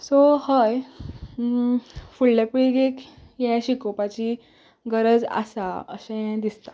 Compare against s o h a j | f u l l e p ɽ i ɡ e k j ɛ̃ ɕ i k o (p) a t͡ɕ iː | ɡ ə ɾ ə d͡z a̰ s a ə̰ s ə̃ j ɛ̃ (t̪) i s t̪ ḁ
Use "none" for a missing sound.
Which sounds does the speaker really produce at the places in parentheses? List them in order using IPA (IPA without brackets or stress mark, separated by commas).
p, d̪